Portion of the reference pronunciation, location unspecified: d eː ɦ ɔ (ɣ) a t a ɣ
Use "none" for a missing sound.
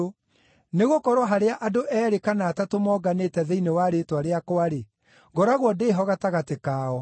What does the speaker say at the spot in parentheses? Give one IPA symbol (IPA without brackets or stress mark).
ɣ